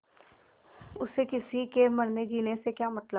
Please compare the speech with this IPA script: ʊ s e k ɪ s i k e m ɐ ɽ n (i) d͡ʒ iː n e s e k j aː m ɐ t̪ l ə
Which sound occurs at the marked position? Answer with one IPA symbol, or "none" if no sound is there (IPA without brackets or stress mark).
e